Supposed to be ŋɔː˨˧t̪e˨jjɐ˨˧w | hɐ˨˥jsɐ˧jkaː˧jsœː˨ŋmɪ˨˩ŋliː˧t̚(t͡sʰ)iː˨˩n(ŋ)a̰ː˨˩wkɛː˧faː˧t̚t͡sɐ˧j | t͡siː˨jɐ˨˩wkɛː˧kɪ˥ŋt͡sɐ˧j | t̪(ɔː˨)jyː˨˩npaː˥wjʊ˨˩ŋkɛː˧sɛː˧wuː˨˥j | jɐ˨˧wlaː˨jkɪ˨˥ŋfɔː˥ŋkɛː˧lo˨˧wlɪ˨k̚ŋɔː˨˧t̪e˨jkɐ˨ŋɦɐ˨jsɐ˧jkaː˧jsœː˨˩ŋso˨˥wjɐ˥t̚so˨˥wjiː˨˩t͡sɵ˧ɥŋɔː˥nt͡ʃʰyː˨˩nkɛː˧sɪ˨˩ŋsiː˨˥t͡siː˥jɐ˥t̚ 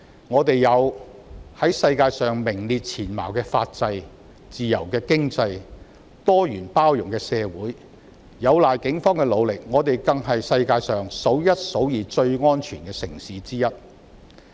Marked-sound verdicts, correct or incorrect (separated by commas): correct, incorrect, incorrect